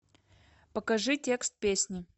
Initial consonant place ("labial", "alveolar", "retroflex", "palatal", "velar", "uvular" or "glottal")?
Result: labial